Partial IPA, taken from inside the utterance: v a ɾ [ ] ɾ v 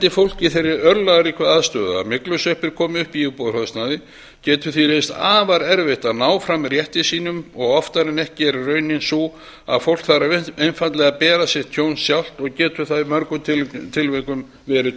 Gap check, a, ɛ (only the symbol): ɛ